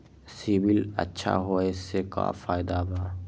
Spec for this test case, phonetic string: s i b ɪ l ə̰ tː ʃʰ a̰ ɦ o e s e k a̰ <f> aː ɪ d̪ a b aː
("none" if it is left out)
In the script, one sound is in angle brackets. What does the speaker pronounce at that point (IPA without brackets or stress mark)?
f